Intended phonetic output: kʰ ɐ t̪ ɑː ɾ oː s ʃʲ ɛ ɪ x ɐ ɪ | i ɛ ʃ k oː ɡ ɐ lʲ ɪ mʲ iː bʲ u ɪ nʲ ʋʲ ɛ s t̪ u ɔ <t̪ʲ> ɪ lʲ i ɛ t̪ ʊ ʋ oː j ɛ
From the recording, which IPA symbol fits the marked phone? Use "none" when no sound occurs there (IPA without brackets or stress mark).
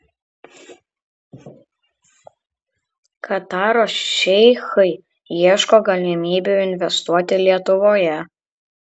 t̪ʲ